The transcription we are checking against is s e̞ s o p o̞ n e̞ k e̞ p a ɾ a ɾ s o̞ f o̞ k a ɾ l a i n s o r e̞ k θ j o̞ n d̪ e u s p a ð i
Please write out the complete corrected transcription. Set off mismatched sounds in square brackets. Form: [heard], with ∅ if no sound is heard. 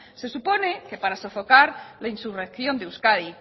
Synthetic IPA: s e̞ s [u] p o̞ n e̞ k e̞ p a ɾ a [∅] s o̞ f o̞ k a ɾ l a i n s [u] r e̞ k θ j o̞ n d̪ e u s [k] a ð i